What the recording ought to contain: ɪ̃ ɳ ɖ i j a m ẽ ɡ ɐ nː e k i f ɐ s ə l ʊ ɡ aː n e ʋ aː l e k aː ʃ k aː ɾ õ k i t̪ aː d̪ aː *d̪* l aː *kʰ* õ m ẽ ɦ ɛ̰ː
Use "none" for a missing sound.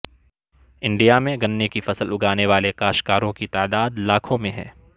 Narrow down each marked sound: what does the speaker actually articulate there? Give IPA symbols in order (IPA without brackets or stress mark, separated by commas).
d̪, kʰ